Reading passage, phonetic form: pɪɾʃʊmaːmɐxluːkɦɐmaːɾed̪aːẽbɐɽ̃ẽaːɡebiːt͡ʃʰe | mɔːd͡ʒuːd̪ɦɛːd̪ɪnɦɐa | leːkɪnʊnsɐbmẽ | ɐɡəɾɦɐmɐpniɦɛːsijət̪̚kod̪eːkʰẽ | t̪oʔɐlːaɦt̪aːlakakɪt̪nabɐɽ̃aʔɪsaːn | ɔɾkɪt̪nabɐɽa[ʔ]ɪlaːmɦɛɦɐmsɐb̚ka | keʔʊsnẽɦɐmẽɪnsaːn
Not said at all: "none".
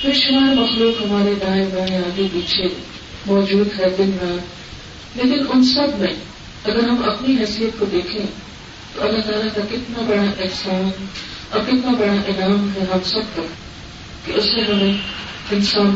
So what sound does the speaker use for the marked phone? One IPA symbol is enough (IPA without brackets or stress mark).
ʔ